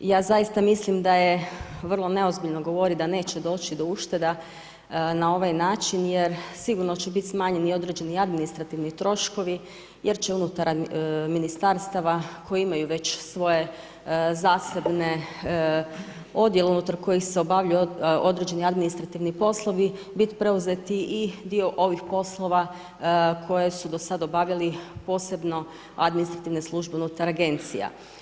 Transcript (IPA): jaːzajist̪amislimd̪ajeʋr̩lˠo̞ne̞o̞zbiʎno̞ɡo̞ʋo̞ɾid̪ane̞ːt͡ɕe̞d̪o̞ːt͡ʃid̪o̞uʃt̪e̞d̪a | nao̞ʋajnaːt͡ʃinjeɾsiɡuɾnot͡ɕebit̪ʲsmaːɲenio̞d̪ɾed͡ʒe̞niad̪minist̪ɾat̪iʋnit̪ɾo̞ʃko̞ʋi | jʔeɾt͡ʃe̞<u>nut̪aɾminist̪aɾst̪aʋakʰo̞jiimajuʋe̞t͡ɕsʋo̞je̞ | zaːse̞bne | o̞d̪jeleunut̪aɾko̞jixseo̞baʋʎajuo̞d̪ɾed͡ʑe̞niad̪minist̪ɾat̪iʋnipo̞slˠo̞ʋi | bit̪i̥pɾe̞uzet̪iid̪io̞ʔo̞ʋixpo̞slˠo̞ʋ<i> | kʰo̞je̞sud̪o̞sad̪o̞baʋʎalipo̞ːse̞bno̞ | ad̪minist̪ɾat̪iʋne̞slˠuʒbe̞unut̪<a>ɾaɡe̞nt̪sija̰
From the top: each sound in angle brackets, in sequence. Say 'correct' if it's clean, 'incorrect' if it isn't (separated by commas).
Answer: correct, incorrect, correct